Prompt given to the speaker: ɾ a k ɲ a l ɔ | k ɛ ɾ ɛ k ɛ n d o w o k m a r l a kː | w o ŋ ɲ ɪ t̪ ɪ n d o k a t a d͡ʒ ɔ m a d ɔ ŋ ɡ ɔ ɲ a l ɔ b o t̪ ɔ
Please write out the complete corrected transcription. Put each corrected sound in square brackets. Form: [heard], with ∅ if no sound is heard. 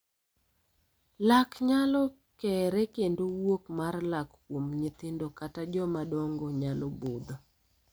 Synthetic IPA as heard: [l] a k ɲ a l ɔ | k ɛ ɾ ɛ k [e] n d o w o k m a r l a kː | w o [m] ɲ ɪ t̪ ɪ n d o k a t a d͡ʒ ɔ m a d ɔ ŋ ɡ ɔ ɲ a l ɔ b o [d̪] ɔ